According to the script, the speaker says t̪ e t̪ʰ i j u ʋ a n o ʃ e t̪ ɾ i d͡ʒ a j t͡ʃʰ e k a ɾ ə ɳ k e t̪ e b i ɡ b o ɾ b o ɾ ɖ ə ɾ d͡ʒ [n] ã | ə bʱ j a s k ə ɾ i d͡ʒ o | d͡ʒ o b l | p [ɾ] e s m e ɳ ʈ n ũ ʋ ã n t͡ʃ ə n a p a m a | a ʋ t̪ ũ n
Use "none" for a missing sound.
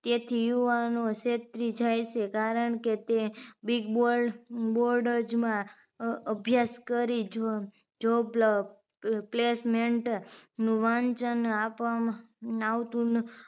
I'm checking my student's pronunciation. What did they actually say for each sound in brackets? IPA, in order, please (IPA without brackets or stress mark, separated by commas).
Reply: m, l